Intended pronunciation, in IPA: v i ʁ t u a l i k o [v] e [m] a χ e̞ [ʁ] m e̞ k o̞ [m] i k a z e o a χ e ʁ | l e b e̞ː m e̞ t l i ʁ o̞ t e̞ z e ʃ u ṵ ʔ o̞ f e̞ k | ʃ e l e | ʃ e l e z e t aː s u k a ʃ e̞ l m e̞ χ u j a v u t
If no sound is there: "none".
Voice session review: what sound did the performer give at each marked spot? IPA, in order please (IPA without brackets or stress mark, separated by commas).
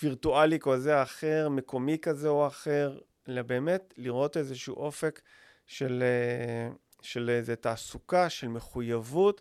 z, none, ʁ, m